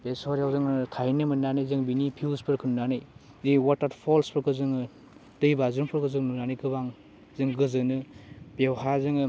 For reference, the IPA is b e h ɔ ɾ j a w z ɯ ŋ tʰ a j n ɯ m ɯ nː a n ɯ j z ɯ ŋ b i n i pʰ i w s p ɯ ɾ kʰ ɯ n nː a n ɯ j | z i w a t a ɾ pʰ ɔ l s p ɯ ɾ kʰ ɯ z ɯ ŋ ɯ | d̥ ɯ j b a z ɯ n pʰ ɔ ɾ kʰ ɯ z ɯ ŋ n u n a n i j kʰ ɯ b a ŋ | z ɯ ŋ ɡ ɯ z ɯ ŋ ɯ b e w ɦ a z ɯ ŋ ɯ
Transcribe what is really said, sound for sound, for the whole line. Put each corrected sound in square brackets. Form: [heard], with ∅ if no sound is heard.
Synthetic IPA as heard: b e [s] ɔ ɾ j a w z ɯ ŋ tʰ a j n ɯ m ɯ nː a n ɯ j z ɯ ŋ b i n i pʰ i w s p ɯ ɾ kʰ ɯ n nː a n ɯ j | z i w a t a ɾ pʰ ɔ l s p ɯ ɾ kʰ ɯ z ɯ ŋ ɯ | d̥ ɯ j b a z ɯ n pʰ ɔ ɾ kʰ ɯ z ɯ ŋ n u n a n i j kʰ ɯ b a ŋ | z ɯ ŋ ɡ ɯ z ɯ [n] ɯ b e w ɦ a z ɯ ŋ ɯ

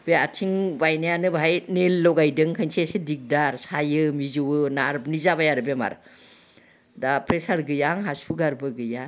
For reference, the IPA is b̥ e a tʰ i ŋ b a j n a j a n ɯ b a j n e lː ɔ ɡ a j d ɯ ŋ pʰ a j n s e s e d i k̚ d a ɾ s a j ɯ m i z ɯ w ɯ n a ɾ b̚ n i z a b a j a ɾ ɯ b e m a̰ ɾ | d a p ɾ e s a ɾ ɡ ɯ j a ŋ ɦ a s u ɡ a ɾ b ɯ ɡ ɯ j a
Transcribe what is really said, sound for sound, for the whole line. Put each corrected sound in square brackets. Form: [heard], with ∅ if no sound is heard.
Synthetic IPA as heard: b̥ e a tʰ i ŋ b a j n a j a n ɯ b a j n e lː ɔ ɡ a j d ɯ ŋ [kʰ] a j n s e s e d i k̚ d a ɾ s a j ɯ m i z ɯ w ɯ n a ɾ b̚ n i z a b a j a ɾ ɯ b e m a̰ ɾ | d a p ɾ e s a ɾ ɡ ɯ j a ŋ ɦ a s u ɡ a ɾ b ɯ ɡ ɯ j a

